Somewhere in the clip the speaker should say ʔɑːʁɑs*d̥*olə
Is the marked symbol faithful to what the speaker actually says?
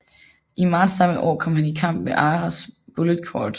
no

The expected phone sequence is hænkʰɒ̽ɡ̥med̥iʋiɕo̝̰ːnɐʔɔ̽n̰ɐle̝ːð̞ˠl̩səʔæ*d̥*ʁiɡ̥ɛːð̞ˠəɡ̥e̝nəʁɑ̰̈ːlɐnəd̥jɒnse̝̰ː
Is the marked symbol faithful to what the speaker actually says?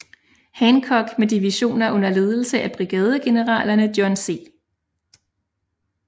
no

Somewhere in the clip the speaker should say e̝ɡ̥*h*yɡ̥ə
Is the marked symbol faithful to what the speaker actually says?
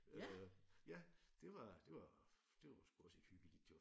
yes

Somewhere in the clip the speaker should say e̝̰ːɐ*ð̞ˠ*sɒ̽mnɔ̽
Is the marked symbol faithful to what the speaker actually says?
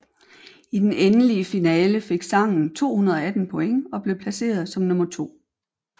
yes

